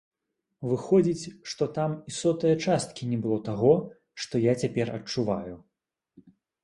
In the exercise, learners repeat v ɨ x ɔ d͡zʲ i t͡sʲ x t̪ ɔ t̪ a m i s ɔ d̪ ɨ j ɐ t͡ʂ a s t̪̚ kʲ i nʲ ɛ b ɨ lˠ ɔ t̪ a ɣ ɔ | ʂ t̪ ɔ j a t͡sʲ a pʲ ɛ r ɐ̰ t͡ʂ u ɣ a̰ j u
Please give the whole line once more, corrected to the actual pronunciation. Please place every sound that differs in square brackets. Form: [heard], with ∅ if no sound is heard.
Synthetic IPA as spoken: v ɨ x ɔ d͡zʲ i t͡sʲ [ʂ] t̪ ɔ t̪ a m i s ɔ [t̪] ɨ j ɐ t͡ʂ a s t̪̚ kʲ i nʲ ɛ b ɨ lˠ ɔ t̪ a ɣ ɔ | ʂ t̪ ɔ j a t͡sʲ a pʲ ɛ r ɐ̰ t͡ʂ u [v] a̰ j u